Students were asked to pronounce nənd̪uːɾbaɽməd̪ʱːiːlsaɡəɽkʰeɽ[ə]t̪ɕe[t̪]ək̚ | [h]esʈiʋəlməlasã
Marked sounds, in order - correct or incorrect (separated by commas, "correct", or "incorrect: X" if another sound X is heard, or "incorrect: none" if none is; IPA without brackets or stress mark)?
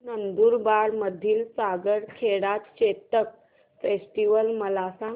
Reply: incorrect: a, correct, incorrect: f